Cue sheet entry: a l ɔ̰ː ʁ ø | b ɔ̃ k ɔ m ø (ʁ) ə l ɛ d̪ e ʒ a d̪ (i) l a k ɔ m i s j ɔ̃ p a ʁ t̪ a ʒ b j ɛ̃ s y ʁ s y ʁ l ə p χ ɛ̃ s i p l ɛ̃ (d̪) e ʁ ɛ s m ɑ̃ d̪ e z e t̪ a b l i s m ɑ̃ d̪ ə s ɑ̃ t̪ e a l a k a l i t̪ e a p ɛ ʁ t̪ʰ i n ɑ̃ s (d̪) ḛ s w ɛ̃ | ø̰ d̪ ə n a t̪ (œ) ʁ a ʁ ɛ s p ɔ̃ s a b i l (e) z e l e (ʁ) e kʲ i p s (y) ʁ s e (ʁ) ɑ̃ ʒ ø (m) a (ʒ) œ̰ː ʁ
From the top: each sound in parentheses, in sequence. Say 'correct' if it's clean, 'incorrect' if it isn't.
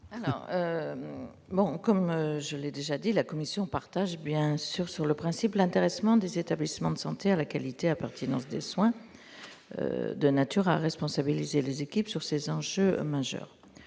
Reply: incorrect: ʒ, correct, incorrect: t̪, correct, incorrect: y, incorrect: i, incorrect: z, correct, incorrect: z, correct, correct

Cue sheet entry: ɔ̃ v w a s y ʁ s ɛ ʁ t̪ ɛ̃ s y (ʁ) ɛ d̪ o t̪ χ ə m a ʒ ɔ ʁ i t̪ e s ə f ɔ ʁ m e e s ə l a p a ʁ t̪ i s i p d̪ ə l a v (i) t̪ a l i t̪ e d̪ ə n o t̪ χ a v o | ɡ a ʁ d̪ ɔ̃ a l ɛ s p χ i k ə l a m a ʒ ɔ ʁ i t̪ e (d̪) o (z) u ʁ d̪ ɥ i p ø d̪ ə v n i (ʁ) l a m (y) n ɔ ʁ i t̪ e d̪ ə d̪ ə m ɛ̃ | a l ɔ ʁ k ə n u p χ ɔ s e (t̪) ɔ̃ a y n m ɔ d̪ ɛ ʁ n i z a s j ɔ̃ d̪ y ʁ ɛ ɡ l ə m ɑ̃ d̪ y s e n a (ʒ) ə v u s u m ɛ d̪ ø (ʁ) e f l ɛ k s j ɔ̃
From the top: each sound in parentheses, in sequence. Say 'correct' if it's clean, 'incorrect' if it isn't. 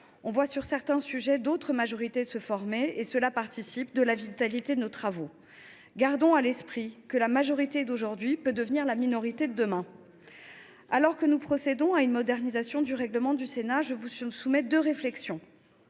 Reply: incorrect: ʒ, correct, correct, incorrect: ʒ, correct, incorrect: i, incorrect: d̪, correct, correct

